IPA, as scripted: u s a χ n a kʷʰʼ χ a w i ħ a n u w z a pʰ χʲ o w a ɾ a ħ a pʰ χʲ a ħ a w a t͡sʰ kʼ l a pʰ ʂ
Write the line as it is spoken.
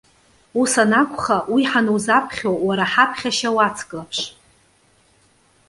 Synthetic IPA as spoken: u s a n a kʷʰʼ χ a w i ħ a n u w z a pʰ χʲ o w a ɾ a ħ a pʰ χʲ a ʃ a w a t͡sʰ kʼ l a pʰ ʂ